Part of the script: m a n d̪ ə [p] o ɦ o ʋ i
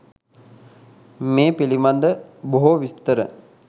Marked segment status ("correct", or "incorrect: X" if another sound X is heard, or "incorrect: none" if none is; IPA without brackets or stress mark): incorrect: b